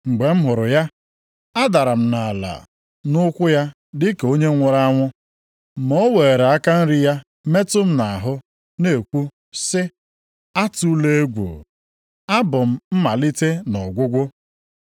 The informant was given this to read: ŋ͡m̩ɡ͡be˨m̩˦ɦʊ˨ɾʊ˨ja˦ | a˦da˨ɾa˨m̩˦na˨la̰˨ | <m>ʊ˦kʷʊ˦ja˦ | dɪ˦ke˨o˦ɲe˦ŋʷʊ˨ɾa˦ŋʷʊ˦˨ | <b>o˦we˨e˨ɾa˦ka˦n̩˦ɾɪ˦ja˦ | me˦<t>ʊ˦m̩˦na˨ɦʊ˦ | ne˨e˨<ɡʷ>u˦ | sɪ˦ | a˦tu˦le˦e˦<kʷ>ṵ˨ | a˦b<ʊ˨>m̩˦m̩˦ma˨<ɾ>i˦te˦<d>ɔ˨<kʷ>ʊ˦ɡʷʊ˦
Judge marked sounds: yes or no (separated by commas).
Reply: no, no, yes, no, no, yes, no, no, no